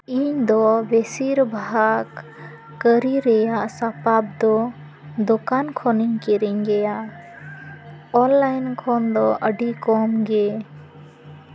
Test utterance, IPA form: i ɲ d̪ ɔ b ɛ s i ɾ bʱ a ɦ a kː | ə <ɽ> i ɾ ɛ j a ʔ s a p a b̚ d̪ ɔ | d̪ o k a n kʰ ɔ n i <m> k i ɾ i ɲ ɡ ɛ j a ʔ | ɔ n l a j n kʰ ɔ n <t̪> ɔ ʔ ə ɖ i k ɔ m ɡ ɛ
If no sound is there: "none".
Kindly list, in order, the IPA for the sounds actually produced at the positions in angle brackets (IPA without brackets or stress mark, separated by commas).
ɾ, ɲ, d̪